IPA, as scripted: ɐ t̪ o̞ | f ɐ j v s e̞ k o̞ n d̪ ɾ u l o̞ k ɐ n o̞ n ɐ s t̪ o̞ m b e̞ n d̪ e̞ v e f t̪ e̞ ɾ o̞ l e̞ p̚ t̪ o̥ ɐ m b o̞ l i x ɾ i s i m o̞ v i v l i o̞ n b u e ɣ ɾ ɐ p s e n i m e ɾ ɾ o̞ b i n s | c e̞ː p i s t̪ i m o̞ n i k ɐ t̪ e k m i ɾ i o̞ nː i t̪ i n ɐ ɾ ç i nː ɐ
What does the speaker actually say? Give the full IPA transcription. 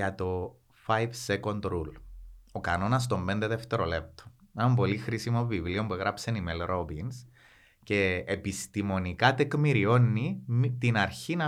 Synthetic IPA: ɐ t̪ o̞ | f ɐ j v s e̞ k o̞ n d̪ ɾ u l o̞ k ɐ n o̞ n ɐ s t̪ o̞ m b e̞ n d̪ e̞ ð e f t̪ e̞ ɾ o̞ l e̞ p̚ t̪ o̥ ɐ m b o̞ l i x ɾ i s i m o̞ v i v l i o̞ m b u e ɣ ɾ ɐ p s e n i m e l ɾ o̞ b i n s | c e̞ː p i s t̪ i m o̞ n i k ɐ t̪ e k m i ɾ i o̞ nː i t̪ i n ɐ ɾ ç i n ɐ